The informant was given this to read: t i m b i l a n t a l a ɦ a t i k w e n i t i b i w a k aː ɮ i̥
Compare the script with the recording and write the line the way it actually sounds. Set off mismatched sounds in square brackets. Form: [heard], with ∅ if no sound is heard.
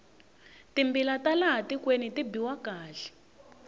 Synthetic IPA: t i m b i l a [∅] t a l a ɦ a t i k w e n i t i b i w a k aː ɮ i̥